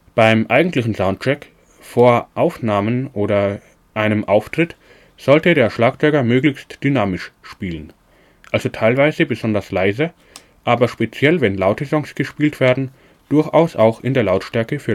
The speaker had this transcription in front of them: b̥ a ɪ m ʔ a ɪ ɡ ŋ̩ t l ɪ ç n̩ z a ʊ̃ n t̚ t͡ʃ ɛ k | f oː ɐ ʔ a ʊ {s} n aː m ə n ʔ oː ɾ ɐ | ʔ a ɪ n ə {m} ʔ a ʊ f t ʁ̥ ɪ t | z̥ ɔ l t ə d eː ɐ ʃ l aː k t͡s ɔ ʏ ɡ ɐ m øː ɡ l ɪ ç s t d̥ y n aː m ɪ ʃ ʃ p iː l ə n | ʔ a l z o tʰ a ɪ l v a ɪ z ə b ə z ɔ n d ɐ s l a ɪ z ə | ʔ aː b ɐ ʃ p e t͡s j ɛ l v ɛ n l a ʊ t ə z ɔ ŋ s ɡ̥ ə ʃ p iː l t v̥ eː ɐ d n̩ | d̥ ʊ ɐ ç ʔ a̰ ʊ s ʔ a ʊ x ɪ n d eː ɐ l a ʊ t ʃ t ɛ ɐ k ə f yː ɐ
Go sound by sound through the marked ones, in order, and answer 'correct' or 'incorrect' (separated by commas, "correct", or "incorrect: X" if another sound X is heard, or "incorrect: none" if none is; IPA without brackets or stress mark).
incorrect: f, correct